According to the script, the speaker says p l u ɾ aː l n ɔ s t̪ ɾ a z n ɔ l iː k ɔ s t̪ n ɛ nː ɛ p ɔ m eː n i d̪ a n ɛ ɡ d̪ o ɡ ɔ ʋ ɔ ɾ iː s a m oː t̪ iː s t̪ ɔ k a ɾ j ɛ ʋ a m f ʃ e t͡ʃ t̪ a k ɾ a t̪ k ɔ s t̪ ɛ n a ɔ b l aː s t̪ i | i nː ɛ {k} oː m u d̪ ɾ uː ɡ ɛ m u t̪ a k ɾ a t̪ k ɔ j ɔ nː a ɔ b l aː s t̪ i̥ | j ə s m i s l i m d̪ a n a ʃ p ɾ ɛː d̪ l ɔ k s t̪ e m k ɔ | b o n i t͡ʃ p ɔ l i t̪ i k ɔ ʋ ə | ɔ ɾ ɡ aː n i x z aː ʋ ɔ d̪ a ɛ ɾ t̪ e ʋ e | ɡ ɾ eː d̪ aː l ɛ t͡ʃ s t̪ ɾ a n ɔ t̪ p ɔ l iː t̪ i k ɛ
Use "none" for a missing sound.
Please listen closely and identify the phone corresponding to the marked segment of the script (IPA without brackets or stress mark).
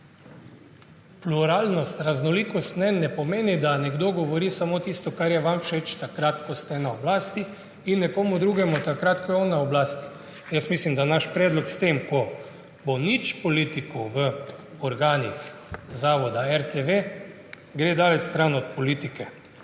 k